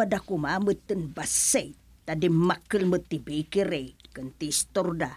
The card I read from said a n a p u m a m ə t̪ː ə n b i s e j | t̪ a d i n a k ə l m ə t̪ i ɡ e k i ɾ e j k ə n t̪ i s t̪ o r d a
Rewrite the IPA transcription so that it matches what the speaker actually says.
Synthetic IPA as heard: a d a k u m a m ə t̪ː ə n b a s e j | t̪ a d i m a k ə l m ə t̪ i b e k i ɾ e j k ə n t̪ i s t̪ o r d a